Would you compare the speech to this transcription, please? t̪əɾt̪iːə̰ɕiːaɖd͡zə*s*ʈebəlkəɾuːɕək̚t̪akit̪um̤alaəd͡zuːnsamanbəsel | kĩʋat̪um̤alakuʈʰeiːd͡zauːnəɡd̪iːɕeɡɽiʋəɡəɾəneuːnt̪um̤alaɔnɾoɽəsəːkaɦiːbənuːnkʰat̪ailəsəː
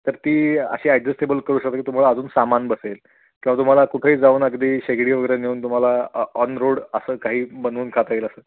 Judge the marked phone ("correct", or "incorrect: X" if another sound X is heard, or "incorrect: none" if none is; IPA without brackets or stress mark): correct